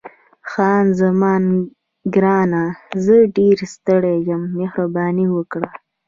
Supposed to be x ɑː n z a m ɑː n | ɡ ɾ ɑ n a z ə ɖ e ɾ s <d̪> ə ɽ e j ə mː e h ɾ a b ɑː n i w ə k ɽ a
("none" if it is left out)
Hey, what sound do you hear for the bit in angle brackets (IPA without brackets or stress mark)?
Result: t̪